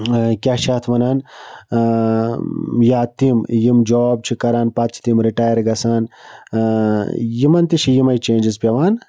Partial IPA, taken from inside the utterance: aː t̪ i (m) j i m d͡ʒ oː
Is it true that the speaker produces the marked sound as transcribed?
yes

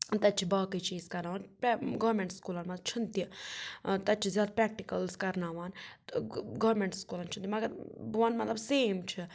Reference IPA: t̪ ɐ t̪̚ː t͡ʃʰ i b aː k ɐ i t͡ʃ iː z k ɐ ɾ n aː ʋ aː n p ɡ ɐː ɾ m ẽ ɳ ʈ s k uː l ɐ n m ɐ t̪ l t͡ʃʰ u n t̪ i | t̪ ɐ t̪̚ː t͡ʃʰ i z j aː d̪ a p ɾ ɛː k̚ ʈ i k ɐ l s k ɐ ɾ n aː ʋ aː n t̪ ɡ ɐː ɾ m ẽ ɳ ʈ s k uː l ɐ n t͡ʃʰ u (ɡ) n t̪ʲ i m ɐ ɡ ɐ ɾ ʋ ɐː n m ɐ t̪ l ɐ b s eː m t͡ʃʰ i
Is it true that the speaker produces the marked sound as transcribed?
no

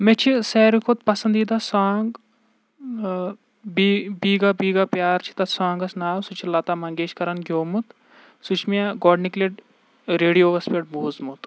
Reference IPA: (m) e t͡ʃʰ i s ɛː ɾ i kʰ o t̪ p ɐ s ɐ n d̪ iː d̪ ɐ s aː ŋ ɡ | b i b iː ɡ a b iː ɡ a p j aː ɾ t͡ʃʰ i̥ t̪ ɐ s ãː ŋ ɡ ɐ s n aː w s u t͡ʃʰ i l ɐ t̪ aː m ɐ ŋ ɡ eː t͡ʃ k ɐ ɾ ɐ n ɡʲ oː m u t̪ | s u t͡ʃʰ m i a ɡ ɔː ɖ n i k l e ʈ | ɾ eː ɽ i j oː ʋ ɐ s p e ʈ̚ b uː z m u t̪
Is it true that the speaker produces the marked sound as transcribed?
yes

